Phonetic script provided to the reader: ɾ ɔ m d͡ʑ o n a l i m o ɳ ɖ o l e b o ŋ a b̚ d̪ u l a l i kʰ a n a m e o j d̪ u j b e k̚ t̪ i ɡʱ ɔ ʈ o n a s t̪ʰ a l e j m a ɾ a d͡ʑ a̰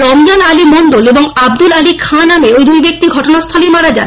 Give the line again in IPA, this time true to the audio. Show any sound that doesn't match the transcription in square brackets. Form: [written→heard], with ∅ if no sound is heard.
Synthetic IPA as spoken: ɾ ɔ m d͡ʑ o n a l i m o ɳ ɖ o l e b o ŋ a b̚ d̪ u l a l i kʰ a n a m e o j d̪ u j b e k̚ t̪ i ɡʱ ɔ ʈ o n a s t̪ʰ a l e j m a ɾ a d͡ʑ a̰